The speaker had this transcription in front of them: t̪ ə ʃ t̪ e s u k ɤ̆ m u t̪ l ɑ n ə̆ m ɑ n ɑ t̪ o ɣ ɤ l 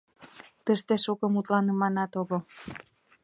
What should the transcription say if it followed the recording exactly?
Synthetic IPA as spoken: t̪ ə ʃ t̪ e ʃ u k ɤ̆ m u t̪ l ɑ n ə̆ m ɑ n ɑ t̪ o ɣ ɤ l